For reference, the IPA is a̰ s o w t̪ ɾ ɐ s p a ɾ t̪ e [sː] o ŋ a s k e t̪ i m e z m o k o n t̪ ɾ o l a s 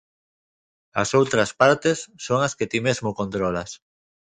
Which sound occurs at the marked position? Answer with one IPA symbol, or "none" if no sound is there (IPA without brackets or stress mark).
sː